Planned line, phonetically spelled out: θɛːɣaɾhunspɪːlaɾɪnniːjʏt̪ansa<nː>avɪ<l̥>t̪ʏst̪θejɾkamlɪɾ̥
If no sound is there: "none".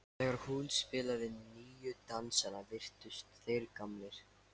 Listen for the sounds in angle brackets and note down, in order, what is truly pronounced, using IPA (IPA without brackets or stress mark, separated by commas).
n, r̥